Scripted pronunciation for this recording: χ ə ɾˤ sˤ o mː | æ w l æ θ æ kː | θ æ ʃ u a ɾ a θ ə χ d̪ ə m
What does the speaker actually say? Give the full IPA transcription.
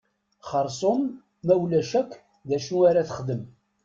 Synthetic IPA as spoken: χ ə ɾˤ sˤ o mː | æ w l æ ʃ æ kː | ð æ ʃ u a ɾ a θ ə χ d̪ ə m